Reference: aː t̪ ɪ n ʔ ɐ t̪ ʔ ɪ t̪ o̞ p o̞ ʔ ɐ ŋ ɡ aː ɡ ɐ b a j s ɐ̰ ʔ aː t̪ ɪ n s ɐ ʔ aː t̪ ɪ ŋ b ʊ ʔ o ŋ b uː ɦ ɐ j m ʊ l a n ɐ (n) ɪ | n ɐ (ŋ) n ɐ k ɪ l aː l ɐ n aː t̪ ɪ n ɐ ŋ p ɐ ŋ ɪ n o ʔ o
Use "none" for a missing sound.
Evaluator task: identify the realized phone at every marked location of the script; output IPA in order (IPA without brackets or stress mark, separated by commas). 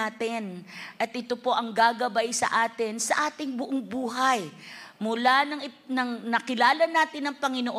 ŋ, ŋ